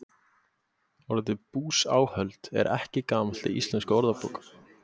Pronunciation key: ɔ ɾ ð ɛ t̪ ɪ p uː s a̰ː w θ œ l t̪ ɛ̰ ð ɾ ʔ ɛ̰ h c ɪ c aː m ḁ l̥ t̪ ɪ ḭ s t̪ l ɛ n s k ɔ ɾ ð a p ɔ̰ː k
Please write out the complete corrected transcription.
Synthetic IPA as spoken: ɔ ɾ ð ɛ t̪ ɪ p uː s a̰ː w h œ l t̪ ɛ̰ ɾ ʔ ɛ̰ h c ɪ k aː m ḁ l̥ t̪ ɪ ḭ s t̪ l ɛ n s k ɔ ɾ ð a p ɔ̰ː k

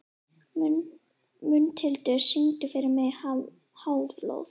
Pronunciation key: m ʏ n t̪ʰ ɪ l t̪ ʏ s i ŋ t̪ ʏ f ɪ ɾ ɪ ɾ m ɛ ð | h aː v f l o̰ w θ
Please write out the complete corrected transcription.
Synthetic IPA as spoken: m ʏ n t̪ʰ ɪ l t̪ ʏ s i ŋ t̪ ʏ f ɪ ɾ ɪ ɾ m ɛ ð | h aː w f l o̰ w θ

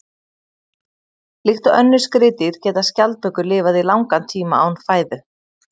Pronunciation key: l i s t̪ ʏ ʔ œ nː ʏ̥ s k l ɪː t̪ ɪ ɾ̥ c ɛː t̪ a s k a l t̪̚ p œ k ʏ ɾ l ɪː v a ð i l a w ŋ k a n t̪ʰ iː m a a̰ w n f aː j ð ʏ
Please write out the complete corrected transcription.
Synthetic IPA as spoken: l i x t̪ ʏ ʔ œ nː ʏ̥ s k ɾ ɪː t̪ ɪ ɾ̥ c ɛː t̪ a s c a l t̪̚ p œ k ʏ ɾ l ɪː v a ð i l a w ŋ k a n t̪ʰ iː m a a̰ w n f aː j ð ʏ

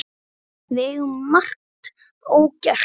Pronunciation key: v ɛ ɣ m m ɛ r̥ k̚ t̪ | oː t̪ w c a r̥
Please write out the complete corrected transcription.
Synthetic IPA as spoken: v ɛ ɣ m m a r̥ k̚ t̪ | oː w c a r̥

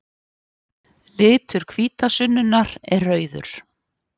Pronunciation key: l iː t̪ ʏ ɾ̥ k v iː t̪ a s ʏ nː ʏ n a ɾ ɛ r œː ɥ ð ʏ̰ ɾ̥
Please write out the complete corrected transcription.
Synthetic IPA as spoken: l ɪː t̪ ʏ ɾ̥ kʰ v iː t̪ a s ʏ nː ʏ n a ɾ ɛ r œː ɥ ð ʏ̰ ɾ̥

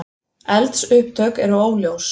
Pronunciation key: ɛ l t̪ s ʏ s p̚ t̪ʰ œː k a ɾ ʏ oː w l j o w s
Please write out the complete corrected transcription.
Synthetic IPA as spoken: ɛ l t̪ s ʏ h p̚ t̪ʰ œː k ɛ ɾ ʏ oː w l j o w s

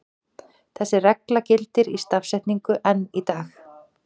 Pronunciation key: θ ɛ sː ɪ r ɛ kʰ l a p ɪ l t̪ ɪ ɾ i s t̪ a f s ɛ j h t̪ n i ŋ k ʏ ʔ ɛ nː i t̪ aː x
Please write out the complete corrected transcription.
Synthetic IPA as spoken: θ ɛ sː ɪ r ɛ k l a c ɪ l t̪ ɪ ɾ i s t̪ a f s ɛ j h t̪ n i ŋ k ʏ ʔ ɛ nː i t̪ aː x

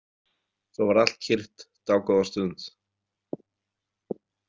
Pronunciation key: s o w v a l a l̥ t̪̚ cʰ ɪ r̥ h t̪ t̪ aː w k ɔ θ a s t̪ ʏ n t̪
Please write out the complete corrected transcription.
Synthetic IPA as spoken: θ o w v a ɾ a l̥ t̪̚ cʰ ɪ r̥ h t̪ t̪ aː w k ɔ ð a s t̪ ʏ n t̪

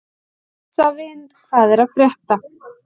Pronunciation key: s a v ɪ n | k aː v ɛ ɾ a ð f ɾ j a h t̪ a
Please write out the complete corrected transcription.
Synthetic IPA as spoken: s a v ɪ n | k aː ð ɛ ɾ a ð f ɾ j ɛ h t̪ a

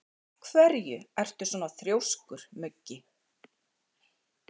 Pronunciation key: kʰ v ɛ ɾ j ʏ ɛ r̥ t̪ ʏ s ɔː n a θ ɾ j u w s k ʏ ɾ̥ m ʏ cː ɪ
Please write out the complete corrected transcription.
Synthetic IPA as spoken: kʰ v ɛ ɾ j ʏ ɛ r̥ t̪ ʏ s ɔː n a θ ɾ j o w s k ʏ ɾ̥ m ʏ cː ɪ

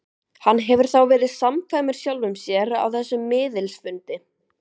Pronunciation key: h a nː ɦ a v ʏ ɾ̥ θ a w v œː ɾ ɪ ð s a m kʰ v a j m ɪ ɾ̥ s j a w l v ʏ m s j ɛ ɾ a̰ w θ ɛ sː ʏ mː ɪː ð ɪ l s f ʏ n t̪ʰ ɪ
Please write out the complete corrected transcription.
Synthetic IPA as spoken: h a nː ɦ ɛ v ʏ ɾ̥ θ a w v ɛː ɾ ɪ ð s a m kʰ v a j m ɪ ɾ̥ s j a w l v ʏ m s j ɛ ɾ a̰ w θ ɛ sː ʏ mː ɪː ð ɪ l s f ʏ n t̪ ɪ

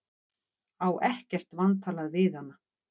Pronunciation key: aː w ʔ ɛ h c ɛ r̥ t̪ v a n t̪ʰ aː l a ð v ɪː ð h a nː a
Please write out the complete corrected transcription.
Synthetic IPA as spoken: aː w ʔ ɛ h c ɛ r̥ t̪ v a n t̪ʰ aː l a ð v ɪ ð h a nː a

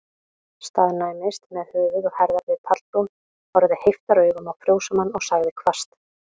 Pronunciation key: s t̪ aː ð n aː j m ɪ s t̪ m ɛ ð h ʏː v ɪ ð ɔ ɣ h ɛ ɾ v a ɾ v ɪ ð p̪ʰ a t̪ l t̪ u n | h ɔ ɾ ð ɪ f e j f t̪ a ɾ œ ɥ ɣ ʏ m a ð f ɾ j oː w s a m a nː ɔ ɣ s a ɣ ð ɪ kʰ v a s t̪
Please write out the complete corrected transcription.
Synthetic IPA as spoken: s t̪ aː ð n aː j m ɪ s t̪ m ɛ ð h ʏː v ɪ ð ɔ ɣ h ɛ ɾ ð a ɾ v ɪ ð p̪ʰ a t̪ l t̪ u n | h ɔ ɾ ð ɪ h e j f t̪ a ɾ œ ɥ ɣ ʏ m a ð f ɾ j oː w s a m a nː ɔ ɣ s a ɣ ð ɪ kʰ v a s t̪

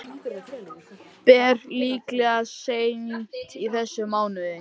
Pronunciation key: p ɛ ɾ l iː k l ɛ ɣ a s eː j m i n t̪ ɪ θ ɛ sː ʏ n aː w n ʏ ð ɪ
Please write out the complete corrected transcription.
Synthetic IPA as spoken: p ɛ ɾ l iː k l ɛ ɣ a s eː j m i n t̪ i θ ɛ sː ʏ m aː w n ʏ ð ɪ

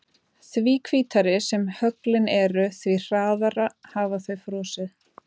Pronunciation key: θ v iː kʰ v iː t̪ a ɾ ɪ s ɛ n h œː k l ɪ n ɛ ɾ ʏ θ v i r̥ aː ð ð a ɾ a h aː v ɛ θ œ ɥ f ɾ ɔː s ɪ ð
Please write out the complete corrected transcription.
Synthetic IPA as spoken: θ v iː kʰ v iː t̪ a ɾ ɪ s ɛ m h œ k l ɪ n ɛ ɾ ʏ θ v i r̥ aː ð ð a ɾ a h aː v a θ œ ɥ f ɾ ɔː s ɪ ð

